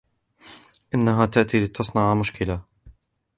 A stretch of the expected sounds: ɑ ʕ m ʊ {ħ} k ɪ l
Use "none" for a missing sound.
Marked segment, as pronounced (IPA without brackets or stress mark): ʃ